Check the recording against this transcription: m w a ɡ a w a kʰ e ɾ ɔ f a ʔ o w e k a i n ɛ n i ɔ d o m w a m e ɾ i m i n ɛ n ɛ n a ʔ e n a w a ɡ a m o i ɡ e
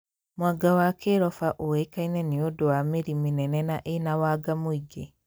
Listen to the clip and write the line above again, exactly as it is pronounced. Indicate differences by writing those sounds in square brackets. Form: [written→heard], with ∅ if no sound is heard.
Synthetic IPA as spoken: m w a ɡ a w a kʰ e ɾ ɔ f a ʔ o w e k a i n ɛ n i [ɔ→o] d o [m→∅] w a m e ɾ i m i n ɛ n ɛ n a ʔ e n a w a ɡ a m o i ɡ e